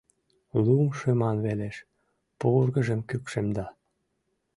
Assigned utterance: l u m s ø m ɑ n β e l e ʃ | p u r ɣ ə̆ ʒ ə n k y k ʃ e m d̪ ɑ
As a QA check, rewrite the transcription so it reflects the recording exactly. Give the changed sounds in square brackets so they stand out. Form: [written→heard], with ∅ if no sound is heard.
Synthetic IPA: l u m [s→ʃ] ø m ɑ n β e l e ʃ | p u r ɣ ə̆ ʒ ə [n→m] k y k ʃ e m d̪ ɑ